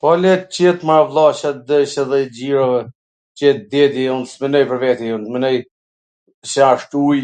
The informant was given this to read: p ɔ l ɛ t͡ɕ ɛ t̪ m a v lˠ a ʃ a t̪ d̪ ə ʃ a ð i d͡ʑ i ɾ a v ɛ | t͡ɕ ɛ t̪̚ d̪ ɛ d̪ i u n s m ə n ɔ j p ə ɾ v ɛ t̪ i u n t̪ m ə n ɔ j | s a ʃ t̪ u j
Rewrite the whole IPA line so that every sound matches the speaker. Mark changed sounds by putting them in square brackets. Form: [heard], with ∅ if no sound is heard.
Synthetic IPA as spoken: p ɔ l ɛ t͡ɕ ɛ t̪ m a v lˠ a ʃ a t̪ d̪ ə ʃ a ð [ɛ] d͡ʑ i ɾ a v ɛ | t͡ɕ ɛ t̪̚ d̪ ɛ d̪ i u n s m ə n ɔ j p ə ɾ v ɛ t̪ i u n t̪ m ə n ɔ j | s a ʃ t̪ u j